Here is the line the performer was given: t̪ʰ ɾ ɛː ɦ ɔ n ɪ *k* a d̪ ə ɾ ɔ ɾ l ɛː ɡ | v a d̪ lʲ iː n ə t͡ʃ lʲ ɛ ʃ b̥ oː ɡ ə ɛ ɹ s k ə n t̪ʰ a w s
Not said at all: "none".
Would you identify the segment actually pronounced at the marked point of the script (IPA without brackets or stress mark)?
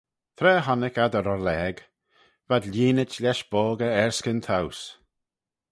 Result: k